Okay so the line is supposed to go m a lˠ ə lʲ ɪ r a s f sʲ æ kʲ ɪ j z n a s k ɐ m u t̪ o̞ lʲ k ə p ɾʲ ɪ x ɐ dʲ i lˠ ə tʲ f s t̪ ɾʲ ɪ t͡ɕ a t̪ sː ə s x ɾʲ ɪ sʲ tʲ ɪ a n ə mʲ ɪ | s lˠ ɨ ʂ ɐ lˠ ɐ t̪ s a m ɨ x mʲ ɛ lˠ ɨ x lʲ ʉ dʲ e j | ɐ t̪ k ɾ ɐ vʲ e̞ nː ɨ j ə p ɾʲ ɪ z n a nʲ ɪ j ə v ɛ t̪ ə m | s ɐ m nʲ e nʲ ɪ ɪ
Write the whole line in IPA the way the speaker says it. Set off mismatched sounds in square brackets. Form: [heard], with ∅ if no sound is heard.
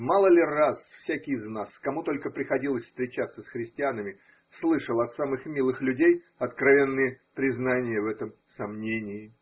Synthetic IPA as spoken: m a lˠ ə lʲ ɪ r a s f sʲ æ kʲ ɪ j z n a s k ɐ m u t̪ o̞ lʲ k ə p ɾʲ ɪ x ɐ dʲ i lˠ ə [sʲ] f s t̪ ɾʲ ɪ t͡ɕ a t̪ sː ə s x ɾʲ ɪ sʲ tʲ ɪ a n ə mʲ ɪ | s lˠ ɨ ʂ [ə] lˠ ɐ t̪ s a m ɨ x mʲ [i] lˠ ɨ x lʲ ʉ dʲ e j | ɐ t̪ k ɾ ɐ vʲ e̞ nː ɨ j ə p ɾʲ ɪ z n a nʲ ɪ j ə v ɛ t̪ ə m | s ɐ m nʲ e nʲ ɪ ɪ